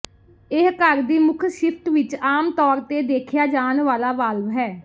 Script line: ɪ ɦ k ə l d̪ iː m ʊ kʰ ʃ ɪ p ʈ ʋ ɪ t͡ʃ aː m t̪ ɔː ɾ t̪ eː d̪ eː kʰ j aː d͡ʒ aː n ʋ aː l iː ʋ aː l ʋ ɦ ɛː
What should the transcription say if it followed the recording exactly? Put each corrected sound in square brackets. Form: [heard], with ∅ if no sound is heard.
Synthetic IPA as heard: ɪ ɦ k ə [ɾ] d̪ iː m ʊ kʰ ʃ ɪ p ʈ ʋ ɪ t͡ʃ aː m t̪ ɔː ɾ t̪ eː d̪ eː kʰ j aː d͡ʒ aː n ʋ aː l [aː] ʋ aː l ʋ ɦ ɛː